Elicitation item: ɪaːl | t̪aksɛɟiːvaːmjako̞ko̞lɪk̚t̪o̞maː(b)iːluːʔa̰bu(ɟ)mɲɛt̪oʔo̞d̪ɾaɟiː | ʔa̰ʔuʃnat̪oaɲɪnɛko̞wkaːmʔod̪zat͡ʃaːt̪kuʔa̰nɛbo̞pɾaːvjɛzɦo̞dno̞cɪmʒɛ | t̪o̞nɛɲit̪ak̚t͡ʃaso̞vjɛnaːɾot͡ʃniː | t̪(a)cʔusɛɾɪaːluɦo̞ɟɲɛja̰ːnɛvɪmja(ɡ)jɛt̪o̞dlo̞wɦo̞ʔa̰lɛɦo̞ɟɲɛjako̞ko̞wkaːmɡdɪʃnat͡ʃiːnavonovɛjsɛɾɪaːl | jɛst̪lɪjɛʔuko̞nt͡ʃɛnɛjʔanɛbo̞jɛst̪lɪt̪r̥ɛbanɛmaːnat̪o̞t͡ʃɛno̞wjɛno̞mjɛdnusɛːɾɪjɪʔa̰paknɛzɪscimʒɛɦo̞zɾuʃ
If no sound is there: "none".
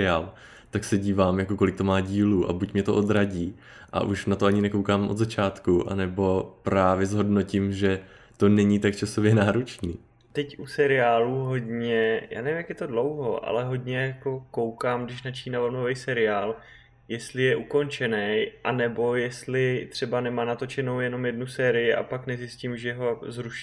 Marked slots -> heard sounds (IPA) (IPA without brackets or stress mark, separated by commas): ɟ, c, ɛ, k